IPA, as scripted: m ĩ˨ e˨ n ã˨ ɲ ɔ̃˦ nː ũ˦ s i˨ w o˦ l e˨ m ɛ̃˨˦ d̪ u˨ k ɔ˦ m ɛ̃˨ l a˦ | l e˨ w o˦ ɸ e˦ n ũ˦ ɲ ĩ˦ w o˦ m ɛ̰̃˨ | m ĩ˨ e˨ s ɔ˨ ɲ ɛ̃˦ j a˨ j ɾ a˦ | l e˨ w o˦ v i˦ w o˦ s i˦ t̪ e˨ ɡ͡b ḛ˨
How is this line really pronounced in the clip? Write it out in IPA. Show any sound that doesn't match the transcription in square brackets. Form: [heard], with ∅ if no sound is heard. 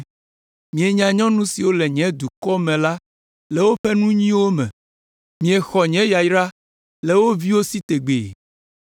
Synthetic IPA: m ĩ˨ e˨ [ɲ] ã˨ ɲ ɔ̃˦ [n] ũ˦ s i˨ w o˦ l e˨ [ɲ] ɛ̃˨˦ d̪ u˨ k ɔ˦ m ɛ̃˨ l a˦ | l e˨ w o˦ ɸ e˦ n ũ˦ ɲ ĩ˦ w o˦ m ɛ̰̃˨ | m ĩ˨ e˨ [x] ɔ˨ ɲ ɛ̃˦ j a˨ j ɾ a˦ | l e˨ w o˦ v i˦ w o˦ s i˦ t̪ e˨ ɡ͡b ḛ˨